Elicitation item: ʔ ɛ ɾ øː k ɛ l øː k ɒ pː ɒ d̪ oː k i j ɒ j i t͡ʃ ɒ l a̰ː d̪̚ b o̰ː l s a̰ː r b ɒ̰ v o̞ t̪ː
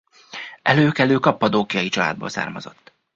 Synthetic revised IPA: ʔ ɛ l øː k ɛ l øː k ɒ pː ɒ d̪ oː k i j ɒ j i t͡ʃ ɒ l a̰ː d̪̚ b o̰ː l s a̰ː r m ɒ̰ z o̞ t̪ː